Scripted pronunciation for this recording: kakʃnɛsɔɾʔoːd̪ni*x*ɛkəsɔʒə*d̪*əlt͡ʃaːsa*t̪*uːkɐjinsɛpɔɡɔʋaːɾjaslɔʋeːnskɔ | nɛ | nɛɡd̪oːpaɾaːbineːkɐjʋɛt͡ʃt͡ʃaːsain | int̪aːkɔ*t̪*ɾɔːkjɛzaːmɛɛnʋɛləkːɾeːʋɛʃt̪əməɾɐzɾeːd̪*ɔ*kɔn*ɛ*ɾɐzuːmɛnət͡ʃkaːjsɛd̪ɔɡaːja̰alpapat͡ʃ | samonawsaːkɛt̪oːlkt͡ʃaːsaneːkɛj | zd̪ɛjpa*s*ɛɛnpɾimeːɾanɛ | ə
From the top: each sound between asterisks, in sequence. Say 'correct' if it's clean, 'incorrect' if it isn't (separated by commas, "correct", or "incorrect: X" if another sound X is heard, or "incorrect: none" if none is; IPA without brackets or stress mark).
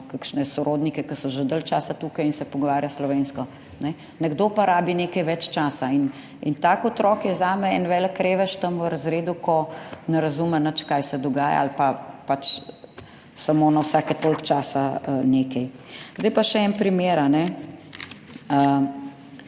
incorrect: k, correct, correct, correct, incorrect: u, correct, incorrect: ʃ